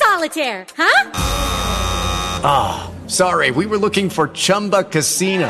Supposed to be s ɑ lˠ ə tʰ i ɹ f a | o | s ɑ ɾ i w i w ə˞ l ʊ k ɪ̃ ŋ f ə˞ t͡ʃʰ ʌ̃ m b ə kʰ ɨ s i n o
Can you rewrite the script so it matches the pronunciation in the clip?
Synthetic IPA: s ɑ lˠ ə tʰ ɛ ɹ h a | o | s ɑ ɹ i w i w ə˞ l ʊ k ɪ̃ ŋ f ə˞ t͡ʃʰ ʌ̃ m b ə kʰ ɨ s i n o